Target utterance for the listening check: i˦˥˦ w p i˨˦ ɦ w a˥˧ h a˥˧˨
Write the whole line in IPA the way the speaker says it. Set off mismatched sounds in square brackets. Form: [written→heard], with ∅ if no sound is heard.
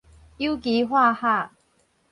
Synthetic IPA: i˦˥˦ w [p→k] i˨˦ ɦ w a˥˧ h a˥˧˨